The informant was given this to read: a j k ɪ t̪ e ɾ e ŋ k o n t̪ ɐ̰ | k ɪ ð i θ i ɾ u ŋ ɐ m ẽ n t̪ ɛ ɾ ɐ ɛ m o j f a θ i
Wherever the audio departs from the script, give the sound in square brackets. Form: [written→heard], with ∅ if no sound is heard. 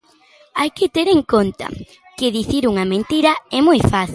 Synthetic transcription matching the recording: a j k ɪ t̪ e ɾ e ŋ k o n t̪ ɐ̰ | k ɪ ð i θ i ɾ u ŋ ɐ m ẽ n t̪ [ɛ→i] ɾ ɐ ɛ m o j f a θ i